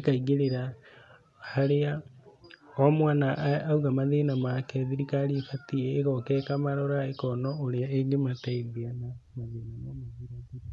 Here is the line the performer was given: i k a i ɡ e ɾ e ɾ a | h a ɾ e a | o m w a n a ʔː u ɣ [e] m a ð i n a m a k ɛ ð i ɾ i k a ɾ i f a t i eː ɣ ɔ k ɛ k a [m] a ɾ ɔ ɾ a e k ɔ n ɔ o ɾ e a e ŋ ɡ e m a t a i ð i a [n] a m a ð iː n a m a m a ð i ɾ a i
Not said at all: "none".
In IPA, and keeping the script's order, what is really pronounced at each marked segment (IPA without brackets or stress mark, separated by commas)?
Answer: a, m, n